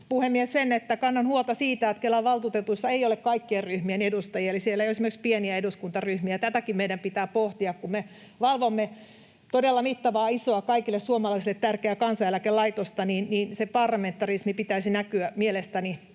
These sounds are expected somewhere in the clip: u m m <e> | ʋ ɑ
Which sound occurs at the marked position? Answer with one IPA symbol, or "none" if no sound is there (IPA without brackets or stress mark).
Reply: e